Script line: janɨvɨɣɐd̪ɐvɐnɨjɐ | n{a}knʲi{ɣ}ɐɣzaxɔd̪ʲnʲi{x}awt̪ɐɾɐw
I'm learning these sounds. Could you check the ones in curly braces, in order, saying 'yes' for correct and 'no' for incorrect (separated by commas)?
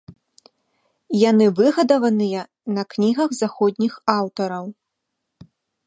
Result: no, yes, yes